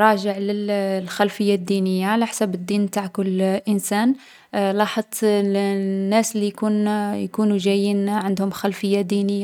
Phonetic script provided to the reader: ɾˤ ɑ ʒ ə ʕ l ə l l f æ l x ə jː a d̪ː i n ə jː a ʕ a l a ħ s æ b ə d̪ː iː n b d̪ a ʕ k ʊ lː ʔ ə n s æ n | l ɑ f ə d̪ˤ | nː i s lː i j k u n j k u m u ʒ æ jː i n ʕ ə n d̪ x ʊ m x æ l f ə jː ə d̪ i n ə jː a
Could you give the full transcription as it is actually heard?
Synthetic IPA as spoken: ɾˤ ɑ ʒ ə ʕ l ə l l x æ l f ə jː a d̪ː i n ə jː a ʕ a l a ħ s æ b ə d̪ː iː n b t̪ a ʕ k ʊ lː ʔ ə n s æ n | l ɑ ħ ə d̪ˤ | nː æ s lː i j k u n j k u n u ʒ æ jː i n ʕ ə n d̪ h ʊ m x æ l f ə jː a d̪ i n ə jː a

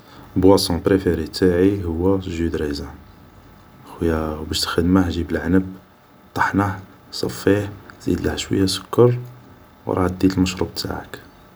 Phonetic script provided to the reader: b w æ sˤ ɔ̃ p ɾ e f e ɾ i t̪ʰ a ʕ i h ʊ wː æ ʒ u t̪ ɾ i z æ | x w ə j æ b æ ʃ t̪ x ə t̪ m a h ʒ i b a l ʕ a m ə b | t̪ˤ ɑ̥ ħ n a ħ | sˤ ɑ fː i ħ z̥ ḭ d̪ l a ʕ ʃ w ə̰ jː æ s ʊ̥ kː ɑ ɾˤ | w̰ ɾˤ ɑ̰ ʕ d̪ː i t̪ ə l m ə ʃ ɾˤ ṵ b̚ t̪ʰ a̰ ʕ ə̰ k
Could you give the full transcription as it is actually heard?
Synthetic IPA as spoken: b w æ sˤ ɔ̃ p ɾ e f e ɾ i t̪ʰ a ʕ i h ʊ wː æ ʒ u d̪ ɾ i z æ | x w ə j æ b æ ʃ t̪ x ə d̪ m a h ʒ i b ə l ʕ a n ə b | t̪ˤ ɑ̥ ħ n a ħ | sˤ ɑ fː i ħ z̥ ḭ d̪ l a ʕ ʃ w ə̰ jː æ s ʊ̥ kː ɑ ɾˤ | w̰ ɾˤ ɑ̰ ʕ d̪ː i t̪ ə l m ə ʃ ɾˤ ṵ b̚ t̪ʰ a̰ ʕ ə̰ k

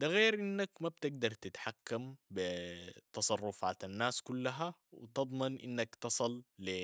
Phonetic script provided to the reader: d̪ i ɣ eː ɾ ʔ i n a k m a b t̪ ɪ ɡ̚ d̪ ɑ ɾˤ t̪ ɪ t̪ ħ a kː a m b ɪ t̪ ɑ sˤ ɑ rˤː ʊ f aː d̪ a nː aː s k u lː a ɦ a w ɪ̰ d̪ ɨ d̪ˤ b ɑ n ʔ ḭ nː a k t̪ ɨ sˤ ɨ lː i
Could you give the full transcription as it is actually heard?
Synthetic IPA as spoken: d̪ a ɣ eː ɾ ʔ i nː a k m a b t̪ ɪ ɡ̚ d̪ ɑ ɾˤ t̪ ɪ t̪ ħ a kː a m b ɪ t̪ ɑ sˤ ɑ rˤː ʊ f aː t̪ a nː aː s k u lː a ɦ a w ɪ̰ t̪ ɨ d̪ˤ m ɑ n ʔ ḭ nː a k t̪ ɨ sˤ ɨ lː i

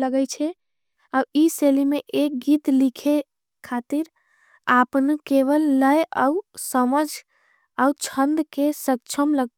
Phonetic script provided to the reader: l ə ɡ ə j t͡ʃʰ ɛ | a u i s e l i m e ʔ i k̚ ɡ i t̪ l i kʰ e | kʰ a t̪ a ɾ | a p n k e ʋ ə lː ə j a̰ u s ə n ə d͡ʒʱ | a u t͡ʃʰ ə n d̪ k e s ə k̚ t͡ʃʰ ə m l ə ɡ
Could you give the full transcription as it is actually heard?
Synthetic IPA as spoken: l ə ɡ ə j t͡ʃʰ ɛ | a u i s e l i m e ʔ e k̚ ɡ i t̪ l i kʰ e | kʰ a t̪ i ɾ | a p n k e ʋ ə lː ə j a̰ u s ə m ə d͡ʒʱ | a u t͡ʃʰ ə n d̪ k e s ə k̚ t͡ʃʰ ə m l ə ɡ

